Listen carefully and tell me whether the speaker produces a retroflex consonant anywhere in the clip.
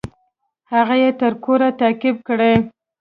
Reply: yes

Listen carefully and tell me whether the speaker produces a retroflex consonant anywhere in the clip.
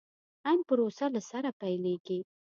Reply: no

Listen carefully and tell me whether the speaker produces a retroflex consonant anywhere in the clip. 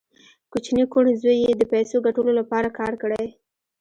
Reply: yes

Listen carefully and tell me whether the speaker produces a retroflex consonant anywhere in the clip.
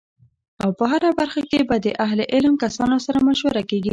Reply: no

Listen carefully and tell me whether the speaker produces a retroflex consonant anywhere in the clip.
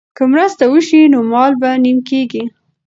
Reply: no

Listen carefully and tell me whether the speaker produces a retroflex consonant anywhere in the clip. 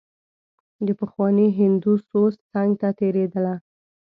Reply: no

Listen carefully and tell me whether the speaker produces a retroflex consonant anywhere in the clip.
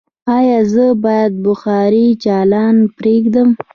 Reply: no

